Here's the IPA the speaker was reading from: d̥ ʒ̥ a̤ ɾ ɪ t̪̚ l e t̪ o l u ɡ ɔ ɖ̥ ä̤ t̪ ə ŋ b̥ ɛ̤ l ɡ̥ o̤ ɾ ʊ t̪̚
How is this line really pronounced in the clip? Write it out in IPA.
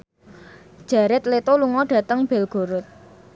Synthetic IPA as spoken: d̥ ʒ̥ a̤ ɾ ɪ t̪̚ l e t̪ o l u ŋ ɔ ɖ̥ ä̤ t̪ ə ŋ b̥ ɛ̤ l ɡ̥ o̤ ɾ ʊ t̪̚